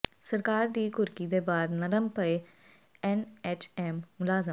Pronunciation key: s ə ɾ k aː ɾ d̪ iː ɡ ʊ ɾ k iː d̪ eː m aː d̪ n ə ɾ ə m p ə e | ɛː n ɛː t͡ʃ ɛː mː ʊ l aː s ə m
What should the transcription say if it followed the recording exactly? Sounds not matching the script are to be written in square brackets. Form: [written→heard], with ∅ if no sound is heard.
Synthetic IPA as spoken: s ə ɾ k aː ɾ d̪ iː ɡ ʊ ɾ k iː d̪ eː [m→b] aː d̪ n ə ɾ ə m p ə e | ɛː n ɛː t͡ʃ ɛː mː ʊ l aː [s→z] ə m